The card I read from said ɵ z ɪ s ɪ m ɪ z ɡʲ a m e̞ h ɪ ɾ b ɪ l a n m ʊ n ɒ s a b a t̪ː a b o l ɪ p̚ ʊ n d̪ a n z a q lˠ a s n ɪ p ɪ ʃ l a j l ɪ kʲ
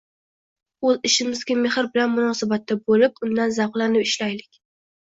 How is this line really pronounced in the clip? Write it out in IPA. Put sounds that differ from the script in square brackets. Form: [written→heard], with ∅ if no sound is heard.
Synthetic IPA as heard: ɵ z ɪ [s→ʃ] ɪ m ɪ z ɡʲ a m e̞ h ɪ ɾ b ɪ l a n m ʊ n ɒ s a b a t̪ː a b o l ɪ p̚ ʊ n d̪ a n z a q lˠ a [s→∅] n ɪ p ɪ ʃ l a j l ɪ kʲ